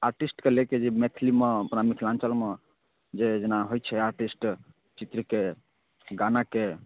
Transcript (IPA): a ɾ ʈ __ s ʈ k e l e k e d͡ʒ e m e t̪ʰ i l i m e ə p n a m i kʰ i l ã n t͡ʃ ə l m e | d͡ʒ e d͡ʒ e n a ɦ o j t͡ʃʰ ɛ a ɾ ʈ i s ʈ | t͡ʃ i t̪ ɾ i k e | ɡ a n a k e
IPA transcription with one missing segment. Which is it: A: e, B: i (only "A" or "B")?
B